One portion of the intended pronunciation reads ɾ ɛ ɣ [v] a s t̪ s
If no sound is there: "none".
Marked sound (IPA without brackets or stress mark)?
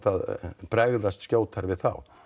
ð